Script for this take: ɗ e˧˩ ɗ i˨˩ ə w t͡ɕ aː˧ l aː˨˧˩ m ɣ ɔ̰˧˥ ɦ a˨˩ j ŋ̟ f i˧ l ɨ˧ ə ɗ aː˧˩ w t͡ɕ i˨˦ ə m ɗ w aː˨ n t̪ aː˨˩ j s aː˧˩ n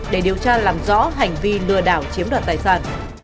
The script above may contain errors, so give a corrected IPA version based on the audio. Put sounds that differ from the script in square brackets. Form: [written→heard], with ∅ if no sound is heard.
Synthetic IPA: ɗ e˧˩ ɗ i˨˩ ə w t͡ɕ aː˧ l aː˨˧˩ m [ɣ→z] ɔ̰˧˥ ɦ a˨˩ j ŋ̟ [f→v] i˧ l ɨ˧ ə ɗ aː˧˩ w t͡ɕ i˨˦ ə m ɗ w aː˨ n t̪ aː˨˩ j s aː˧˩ n